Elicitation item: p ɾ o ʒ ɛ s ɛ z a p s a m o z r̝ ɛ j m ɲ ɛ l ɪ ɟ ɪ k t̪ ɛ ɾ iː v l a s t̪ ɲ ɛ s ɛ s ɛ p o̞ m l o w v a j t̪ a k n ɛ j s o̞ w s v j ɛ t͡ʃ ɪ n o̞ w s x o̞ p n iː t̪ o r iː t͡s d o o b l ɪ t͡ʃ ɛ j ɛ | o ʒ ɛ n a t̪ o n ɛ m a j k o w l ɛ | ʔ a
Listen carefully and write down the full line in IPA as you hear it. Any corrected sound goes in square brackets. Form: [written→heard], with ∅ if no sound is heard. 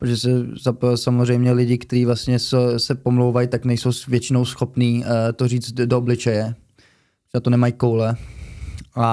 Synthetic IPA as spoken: p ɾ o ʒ ɛ s ɛ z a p s a m o z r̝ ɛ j m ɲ ɛ l ɪ ɟ ɪ k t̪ ɛ ɾ iː v l a s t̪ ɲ ɛ s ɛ s ɛ p o̞ m l o w v a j t̪ a k n ɛ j s o̞ w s v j ɛ t͡ʃ ɪ n o̞ w s x o̞ p n iː t̪ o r iː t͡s d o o b l ɪ t͡ʃ ɛ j ɛ | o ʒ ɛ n a t̪ o n ɛ m a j k o w l ɛ | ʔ a